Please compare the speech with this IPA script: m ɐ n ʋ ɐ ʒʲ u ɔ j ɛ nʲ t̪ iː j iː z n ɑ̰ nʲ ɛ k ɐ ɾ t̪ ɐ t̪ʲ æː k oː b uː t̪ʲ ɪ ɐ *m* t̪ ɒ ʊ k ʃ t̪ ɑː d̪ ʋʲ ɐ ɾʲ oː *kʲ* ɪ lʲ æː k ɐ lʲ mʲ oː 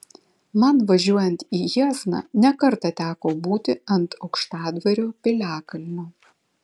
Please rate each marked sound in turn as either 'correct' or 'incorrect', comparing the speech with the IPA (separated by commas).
incorrect, incorrect